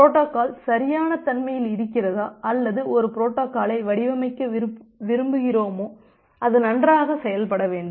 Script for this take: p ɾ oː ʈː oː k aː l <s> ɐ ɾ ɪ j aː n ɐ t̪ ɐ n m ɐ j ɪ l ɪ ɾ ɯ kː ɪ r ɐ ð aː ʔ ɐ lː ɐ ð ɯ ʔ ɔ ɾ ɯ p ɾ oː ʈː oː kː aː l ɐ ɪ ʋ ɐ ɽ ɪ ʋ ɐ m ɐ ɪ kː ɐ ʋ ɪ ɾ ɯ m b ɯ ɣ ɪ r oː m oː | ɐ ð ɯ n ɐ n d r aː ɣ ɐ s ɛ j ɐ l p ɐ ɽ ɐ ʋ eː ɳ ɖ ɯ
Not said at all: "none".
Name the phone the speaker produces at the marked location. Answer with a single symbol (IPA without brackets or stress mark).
s